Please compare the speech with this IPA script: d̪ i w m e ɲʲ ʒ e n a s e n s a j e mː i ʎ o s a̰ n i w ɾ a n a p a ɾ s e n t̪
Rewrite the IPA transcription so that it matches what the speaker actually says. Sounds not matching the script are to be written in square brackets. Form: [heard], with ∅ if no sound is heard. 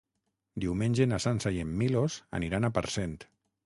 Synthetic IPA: d̪ i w m e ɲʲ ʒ e n a s [a] n s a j e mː i [l] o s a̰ n i [∅] ɾ a n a p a ɾ s e n t̪